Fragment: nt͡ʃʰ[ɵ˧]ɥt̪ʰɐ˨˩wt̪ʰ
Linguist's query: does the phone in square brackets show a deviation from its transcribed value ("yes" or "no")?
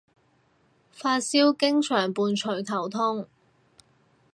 yes